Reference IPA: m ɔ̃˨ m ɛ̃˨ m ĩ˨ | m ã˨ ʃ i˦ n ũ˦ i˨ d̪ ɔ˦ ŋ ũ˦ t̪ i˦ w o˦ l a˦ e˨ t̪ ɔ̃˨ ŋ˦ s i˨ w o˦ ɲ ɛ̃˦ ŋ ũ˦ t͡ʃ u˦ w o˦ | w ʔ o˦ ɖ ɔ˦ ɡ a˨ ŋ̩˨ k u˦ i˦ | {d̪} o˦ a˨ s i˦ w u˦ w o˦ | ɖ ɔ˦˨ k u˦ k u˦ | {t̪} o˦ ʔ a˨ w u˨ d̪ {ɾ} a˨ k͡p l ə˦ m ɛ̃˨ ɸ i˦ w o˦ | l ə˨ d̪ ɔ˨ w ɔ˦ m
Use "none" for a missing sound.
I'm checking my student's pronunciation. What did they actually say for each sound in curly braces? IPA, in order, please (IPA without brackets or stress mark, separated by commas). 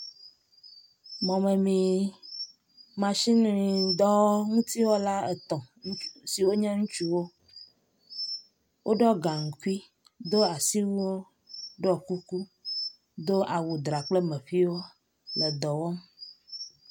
d̪, d̪, ɾ